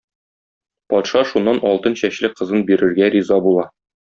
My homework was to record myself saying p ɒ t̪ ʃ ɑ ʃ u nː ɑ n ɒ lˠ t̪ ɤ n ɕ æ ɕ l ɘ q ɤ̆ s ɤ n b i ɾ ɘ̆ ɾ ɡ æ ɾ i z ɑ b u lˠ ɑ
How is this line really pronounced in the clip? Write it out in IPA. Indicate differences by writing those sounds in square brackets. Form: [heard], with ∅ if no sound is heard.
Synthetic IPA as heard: p ɒ t̪ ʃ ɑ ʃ u nː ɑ n ɒ lˠ t̪ ɤ n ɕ æ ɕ l ɘ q ɤ̆ [z] ɤ n b i ɾ ɘ̆ ɾ ɡ æ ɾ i z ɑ b u lˠ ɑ

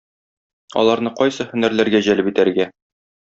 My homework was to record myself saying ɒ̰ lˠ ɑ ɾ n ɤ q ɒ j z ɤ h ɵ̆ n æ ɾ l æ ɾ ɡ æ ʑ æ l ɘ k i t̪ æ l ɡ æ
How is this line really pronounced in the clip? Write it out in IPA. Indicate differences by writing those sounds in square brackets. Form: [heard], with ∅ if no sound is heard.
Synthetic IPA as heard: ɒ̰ lˠ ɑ ɾ n ɤ q ɒ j [s] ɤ h ɵ̆ n æ ɾ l æ ɾ ɡ æ ʑ æ l ɘ [p] i t̪ æ [ɾ] ɡ æ

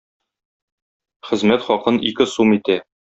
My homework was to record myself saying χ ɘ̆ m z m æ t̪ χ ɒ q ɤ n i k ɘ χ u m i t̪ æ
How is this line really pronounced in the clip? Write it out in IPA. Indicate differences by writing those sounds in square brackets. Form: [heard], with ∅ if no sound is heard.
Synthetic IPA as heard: χ ɘ̆ [∅] z m æ t̪ χ ɒ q ɤ n i k ɘ [s] u m i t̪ æ

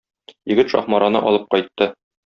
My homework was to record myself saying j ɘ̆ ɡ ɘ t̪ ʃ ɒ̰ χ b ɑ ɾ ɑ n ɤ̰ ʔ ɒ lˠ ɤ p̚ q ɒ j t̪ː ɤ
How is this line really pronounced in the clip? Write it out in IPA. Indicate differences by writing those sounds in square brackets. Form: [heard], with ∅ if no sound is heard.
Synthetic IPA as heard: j ɘ̆ ɡ ɘ t̪ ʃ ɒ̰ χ [m] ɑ ɾ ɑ n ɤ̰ ʔ ɒ lˠ ɤ p̚ q ɒ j t̪ː ɤ

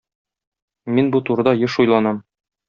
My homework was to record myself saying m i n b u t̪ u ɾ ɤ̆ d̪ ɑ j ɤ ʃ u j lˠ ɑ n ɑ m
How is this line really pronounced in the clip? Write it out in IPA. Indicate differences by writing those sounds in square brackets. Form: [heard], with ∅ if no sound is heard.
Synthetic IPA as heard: m i n b u t̪ u ɾ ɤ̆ d̪ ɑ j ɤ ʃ u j lˠ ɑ n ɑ m

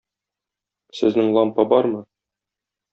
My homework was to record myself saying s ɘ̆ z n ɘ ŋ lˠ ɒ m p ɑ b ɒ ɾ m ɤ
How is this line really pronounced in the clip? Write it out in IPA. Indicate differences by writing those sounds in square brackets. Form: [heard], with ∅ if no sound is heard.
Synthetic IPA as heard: s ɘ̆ z n ɘ ŋ lˠ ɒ m p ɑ b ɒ ɾ m ɤ

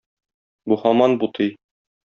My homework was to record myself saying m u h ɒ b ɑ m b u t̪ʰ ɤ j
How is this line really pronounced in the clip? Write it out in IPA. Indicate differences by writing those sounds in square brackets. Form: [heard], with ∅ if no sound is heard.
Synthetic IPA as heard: [b] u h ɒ [m] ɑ [n] b u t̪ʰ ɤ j

